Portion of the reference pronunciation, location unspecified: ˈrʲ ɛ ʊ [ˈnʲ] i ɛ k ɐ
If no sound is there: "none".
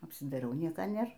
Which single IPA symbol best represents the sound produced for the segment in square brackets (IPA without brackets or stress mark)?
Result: nʲ